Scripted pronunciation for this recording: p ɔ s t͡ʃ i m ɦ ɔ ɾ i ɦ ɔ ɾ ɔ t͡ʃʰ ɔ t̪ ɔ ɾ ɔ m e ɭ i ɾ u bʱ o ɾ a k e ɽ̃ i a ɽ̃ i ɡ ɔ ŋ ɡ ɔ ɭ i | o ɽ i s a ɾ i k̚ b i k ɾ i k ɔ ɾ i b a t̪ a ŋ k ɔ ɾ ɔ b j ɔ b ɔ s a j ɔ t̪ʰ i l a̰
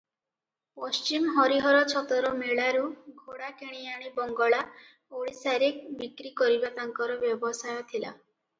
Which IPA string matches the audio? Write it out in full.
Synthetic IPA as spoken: p ɔ s t͡ʃ i m ɦ ɔ ɾ i ɦ ɔ ɾ ɔ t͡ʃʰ ɔ t̪ ɔ ɾ ɔ m e ɭ a ɾ u ɡʱ o ɽ a k e ɽ̃ i a ɽ̃ i b ɔ ŋ ɡ ɔ ɭ a | o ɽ i s a ɾ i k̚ b i k ɾ i k ɔ ɾ i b a t̪ a ŋ k ɔ ɾ ɔ b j ɔ b ɔ s a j ɔ t̪ʰ i l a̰

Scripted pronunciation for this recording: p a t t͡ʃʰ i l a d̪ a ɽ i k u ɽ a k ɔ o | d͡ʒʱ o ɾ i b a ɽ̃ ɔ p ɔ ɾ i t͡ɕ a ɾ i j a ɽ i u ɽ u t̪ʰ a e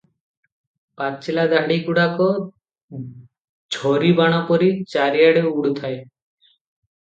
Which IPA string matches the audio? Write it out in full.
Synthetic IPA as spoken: p a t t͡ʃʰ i l a d̪ a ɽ i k u ɽ a k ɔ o | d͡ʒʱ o ɾ i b a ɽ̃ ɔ p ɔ ɾ i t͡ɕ a ɾ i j a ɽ e u ɽ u t̪ʰ a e

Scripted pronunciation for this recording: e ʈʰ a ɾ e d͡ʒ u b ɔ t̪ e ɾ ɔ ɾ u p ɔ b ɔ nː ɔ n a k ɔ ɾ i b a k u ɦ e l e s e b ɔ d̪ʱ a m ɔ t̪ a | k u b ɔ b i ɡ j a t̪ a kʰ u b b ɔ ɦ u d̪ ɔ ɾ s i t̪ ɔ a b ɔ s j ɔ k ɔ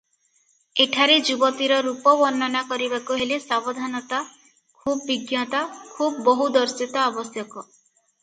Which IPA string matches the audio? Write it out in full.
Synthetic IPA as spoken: e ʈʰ a ɾ e d͡ʒ u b ɔ t̪ i ɾ ɔ ɾ u p ɔ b ɔ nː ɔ n a k ɔ ɾ i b a k u ɦ e l e s a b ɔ d̪ʱ a n ɔ t̪ a | kʰ u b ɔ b i ɡ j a t̪ a kʰ u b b ɔ ɦ u d̪ ɔ ɾ s i t̪ ɔ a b ɔ s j ɔ k ɔ

